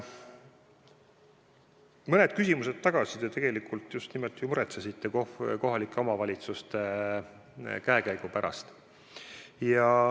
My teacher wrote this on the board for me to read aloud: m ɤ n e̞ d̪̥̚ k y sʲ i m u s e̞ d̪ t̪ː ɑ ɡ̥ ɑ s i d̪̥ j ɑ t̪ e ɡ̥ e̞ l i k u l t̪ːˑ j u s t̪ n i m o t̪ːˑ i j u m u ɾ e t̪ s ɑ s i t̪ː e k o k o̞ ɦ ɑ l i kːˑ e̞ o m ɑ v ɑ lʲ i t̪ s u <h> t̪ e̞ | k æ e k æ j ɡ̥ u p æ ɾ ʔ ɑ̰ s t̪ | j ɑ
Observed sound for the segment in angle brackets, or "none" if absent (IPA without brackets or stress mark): s